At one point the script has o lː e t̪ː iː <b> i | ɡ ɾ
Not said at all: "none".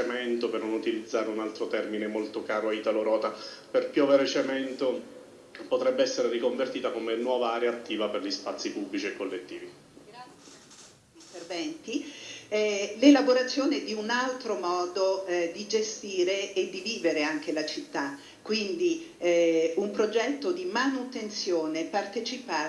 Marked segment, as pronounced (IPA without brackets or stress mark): v